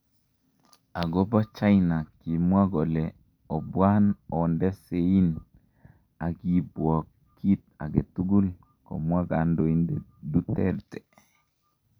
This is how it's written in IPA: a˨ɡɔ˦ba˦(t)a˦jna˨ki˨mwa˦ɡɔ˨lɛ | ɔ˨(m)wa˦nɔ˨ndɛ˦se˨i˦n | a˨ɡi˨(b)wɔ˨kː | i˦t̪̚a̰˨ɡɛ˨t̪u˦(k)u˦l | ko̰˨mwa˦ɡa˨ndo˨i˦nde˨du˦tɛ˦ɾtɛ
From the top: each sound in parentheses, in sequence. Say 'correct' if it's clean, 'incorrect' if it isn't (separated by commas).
incorrect, incorrect, correct, incorrect